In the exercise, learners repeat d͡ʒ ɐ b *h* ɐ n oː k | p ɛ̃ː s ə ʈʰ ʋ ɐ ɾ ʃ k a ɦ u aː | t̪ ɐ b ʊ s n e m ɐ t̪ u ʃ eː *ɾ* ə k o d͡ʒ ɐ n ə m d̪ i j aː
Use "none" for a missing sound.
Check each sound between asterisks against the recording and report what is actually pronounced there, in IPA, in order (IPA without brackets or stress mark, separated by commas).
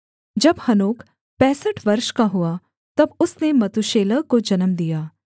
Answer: h, l